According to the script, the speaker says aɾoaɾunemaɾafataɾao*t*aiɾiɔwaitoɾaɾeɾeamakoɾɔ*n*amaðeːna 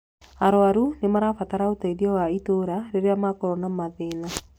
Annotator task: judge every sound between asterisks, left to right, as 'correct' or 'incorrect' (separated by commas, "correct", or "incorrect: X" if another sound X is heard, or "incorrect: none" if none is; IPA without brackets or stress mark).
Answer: correct, correct